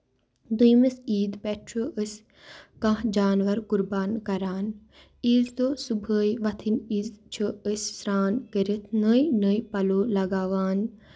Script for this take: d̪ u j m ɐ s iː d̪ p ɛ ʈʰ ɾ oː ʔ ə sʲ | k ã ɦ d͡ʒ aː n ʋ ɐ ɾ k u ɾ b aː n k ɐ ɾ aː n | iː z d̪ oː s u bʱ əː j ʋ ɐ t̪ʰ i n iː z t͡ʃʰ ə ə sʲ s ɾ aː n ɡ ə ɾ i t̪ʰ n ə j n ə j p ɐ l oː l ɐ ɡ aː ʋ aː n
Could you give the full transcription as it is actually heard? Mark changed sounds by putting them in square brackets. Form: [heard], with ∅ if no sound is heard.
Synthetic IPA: d̪ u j m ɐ s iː d̪ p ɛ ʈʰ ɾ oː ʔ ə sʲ | k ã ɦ d͡ʒ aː n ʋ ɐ ɾ k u ɾ b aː n k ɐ ɾ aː n | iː z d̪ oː s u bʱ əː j ʋ ɐ t̪ʰ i n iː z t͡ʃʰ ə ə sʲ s ɾ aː n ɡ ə ɾ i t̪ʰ n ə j n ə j p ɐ l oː l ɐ ɡ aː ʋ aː n